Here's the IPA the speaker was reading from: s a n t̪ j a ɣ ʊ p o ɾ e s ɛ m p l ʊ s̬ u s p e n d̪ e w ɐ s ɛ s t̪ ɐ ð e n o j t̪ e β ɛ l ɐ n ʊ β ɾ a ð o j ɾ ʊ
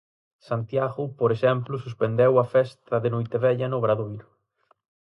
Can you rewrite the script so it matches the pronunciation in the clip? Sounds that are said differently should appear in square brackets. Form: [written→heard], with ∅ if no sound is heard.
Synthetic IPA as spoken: s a n t̪ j a ɣ ʊ p o ɾ e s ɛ m p l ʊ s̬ u s p e n d̪ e w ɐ [s→f] ɛ s t̪ ɐ ð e n o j t̪ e β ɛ [l→ʎ] ɐ n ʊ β ɾ a ð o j ɾ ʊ